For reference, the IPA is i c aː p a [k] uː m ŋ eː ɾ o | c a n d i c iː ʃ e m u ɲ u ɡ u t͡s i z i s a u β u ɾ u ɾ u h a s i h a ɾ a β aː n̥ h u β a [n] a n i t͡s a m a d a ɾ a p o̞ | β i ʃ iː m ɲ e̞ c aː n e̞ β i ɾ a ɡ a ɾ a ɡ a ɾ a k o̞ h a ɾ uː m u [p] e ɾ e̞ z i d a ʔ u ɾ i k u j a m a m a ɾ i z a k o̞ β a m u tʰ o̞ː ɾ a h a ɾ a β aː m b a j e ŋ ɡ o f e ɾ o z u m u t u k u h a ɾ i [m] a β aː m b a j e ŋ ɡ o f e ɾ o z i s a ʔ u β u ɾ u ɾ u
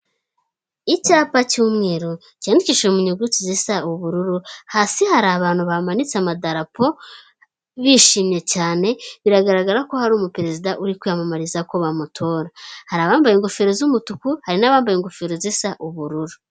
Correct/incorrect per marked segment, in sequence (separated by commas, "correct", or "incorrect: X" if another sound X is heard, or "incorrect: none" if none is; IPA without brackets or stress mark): incorrect: c, incorrect: m, correct, incorrect: n